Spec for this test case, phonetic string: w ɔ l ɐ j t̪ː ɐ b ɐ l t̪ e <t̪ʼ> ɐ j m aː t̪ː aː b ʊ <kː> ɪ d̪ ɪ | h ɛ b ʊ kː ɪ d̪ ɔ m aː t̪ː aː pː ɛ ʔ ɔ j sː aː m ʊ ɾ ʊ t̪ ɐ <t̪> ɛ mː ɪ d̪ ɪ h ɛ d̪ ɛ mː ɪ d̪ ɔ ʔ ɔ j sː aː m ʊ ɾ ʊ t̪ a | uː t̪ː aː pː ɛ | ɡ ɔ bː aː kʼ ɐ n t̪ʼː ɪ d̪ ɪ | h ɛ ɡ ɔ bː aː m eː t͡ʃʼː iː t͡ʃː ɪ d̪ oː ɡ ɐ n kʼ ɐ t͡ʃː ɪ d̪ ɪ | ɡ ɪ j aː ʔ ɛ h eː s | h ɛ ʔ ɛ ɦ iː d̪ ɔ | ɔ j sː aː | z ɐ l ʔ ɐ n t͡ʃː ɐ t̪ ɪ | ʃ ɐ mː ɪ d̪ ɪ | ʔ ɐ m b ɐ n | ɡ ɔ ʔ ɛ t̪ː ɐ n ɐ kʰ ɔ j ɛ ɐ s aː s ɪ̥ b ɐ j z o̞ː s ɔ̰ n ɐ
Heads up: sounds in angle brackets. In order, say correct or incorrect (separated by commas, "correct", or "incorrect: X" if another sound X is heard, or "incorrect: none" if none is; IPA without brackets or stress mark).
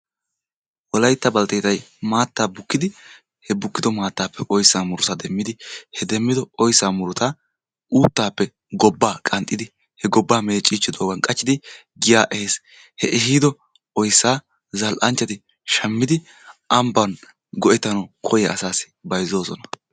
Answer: incorrect: t̪, correct, incorrect: d̪